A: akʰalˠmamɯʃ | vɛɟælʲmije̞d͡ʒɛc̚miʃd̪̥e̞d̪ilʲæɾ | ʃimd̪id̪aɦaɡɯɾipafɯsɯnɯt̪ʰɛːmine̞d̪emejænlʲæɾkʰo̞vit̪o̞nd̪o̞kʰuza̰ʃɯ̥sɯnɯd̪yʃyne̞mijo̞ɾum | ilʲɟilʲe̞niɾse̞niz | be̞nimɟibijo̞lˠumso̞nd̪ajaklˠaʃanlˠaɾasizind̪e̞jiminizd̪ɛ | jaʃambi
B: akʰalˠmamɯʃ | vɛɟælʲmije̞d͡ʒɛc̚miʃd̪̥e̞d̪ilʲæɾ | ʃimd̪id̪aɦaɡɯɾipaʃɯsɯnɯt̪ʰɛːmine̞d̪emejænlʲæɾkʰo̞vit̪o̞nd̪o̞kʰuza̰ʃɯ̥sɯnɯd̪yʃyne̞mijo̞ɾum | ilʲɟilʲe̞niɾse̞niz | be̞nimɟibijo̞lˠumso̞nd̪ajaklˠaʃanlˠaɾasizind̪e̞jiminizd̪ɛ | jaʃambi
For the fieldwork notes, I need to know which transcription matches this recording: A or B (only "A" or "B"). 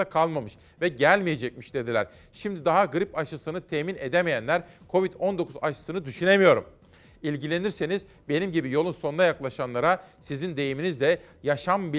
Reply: B